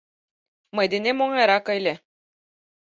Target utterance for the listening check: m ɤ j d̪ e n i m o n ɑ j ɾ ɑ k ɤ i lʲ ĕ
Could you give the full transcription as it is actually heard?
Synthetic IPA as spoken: m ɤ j d̪ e n e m o ŋ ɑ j ɾ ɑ k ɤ j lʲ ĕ